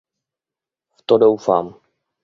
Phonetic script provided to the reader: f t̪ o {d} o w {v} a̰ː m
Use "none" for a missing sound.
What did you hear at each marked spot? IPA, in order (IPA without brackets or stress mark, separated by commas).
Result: d, f